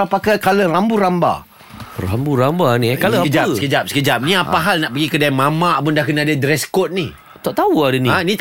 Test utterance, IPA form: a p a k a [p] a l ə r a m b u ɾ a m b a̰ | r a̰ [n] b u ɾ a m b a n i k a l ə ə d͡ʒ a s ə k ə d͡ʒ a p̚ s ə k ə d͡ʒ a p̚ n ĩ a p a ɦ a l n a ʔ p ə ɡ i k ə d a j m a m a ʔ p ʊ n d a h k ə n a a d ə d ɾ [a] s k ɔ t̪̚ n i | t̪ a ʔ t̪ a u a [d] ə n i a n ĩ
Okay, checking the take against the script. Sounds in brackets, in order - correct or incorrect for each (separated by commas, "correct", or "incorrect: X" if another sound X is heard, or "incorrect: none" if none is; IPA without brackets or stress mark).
incorrect: k, incorrect: m, incorrect: ɛ, correct